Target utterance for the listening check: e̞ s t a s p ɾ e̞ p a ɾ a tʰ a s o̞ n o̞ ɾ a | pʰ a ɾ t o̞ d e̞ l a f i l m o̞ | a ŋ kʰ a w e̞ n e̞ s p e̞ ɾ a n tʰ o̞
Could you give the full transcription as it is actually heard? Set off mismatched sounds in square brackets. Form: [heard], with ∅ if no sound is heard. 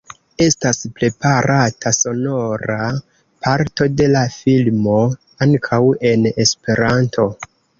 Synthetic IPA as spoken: e̞ s t a s p ɾ e̞ p a ɾ a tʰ a s o̞ n o̞ ɾ a | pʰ a ɾ t o̞ d e̞ l a f i l m o̞ | a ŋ kʰ a w e̞ n e̞ s p e̞ ɾ a n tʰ o̞